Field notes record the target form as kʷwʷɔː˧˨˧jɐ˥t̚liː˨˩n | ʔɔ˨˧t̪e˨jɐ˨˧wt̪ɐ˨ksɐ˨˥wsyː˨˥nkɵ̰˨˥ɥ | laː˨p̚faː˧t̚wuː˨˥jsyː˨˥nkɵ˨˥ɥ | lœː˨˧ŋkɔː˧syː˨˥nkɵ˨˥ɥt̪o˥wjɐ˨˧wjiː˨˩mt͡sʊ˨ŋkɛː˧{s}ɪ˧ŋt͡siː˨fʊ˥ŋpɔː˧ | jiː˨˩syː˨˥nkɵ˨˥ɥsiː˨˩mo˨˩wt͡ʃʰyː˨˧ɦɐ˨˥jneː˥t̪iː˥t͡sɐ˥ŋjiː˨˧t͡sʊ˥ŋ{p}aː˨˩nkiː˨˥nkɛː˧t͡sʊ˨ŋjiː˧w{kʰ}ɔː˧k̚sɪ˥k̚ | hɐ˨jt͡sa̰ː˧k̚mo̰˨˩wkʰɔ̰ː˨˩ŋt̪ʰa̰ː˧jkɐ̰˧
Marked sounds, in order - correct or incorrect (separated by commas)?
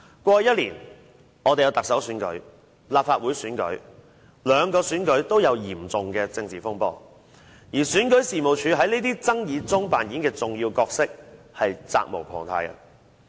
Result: incorrect, correct, incorrect